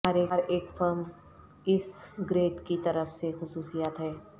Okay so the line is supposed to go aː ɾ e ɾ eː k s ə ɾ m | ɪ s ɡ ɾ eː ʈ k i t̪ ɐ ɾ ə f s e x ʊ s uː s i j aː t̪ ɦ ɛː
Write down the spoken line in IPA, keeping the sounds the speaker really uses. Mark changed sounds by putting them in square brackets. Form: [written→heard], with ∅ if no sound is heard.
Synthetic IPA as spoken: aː ɾ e ɾ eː k [s→f] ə ɾ m | ɪ s ɡ ɾ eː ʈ k i t̪ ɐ ɾ ə f s e x ʊ s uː s i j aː t̪ ɦ ɛː

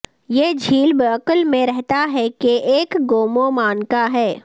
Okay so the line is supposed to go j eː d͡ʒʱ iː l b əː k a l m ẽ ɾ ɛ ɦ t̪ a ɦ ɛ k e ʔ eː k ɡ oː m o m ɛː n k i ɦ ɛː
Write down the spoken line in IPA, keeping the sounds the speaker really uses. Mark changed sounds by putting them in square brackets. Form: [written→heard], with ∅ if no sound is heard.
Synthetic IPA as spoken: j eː d͡ʒʱ iː l b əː k [a→ə] l m ẽ ɾ ɛ ɦ t̪ a ɦ ɛ k e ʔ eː k ɡ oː m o m [ɛː→aː] n k [i→a] ɦ ɛː

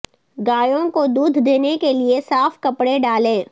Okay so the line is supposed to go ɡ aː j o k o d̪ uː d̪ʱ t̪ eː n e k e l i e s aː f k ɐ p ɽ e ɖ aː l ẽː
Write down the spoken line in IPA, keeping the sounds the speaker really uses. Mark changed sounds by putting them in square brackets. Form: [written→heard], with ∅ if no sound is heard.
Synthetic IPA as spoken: ɡ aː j [o→õ] k o d̪ uː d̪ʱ [t̪→d̪] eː n e k e l i e s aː f k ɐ p ɽ e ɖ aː l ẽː

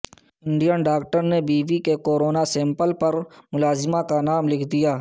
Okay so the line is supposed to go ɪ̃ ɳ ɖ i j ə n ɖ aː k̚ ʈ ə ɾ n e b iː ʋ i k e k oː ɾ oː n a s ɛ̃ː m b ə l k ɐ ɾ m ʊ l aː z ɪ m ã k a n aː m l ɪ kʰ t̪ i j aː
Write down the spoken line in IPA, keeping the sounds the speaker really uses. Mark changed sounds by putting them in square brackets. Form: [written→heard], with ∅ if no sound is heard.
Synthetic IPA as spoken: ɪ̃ ɳ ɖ i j ə n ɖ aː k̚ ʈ ə ɾ n e b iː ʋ i k e k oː ɾ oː n a s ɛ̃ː m [b→p] ə l [k→p] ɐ ɾ m ʊ l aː z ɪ m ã k a n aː m l ɪ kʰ [t̪→d̪] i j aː

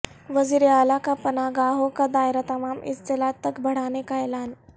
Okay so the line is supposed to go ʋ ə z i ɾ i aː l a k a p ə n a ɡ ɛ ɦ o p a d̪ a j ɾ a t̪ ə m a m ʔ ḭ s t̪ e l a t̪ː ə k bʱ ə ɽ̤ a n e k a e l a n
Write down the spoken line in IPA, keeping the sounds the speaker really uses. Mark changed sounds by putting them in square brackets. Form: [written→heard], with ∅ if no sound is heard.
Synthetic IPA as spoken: ʋ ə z i ɾ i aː l a k a p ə n a ɡ [ɛ→a] ɦ o [p→k] a d̪ a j ɾ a t̪ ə m a m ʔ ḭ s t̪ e l a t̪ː ə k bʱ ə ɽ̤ a n e k a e l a n

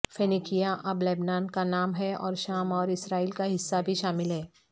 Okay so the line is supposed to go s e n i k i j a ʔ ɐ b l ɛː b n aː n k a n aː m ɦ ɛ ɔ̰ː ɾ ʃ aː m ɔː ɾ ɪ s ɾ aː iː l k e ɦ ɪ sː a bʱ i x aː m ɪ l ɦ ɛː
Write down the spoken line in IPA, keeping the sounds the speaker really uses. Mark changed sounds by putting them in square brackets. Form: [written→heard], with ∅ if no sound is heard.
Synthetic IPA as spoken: [s→f] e n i k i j a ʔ ɐ b l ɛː b n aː n k a n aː m ɦ ɛ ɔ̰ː ɾ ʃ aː m ɔː ɾ ɪ s ɾ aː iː l k [e→a] ɦ ɪ sː a bʱ i [x→ʃ] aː m ɪ l ɦ ɛː

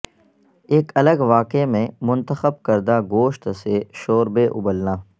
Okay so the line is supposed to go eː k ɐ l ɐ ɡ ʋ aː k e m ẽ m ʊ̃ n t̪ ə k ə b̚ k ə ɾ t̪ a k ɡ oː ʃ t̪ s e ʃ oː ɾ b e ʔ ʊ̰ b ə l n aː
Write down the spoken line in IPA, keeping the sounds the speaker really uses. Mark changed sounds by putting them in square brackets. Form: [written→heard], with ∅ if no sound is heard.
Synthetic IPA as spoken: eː k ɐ l [ɐ→ə] ɡ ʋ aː k e m ẽ m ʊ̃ n t̪ ə [k→x] ə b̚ k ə ɾ [t̪→d̪] a [k→∅] ɡ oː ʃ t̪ s e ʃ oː ɾ b e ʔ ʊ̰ b ə l n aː

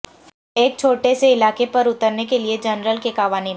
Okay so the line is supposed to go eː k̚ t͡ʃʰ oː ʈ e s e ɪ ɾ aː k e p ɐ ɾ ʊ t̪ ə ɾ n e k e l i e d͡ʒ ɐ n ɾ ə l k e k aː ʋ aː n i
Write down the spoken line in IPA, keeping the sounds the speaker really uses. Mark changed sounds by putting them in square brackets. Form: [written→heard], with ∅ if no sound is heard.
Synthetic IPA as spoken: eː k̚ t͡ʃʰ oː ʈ e s e ɪ [ɾ→l] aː k e p ɐ ɾ ʊ t̪ ə ɾ n e k e l i e d͡ʒ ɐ n ɾ ə l k e k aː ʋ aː n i

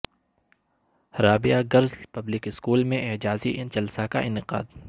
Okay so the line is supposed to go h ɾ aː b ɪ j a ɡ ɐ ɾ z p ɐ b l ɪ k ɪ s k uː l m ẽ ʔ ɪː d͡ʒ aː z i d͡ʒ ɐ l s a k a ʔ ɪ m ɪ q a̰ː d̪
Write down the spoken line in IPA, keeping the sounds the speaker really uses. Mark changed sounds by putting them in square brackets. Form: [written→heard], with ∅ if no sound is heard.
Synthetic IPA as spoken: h ɾ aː b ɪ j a ɡ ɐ ɾ z p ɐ b l ɪ k ɪ s k uː l m ẽ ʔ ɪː d͡ʒ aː z i d͡ʒ ɐ l s a k a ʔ ɪ [m→n] ɪ q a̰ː d̪

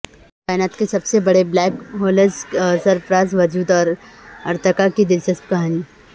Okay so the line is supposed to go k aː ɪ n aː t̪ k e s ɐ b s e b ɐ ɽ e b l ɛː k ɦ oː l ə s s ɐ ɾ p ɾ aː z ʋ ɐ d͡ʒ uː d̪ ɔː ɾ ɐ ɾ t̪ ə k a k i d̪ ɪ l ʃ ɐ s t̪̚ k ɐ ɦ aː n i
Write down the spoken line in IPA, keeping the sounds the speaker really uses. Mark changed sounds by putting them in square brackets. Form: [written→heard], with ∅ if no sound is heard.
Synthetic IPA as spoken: k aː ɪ n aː t̪ k e s ɐ b s e b ɐ ɽ e b l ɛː k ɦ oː l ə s s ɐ ɾ p ɾ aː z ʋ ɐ d͡ʒ uː d̪ ɔː ɾ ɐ ɾ t̪ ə k a k i d̪ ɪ l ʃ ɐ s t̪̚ k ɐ ɦ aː n i

